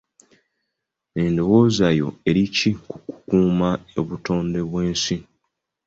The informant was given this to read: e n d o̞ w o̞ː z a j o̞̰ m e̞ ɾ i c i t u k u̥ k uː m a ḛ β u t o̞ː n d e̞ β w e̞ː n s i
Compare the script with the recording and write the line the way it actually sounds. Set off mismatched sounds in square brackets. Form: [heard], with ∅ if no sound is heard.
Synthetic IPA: e n d o̞ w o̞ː z a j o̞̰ [∅] e̞ ɾ i c i [k] u k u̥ k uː m a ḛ β u t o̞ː n d e̞ β w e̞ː n s i